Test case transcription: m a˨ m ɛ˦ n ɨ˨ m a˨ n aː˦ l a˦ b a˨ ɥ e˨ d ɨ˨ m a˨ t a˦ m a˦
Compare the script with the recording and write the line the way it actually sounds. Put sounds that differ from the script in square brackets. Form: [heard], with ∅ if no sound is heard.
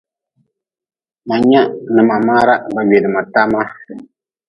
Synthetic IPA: m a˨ [ɲ] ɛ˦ n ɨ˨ m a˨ [m] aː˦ [ɾ] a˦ b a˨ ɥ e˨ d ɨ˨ m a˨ t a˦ m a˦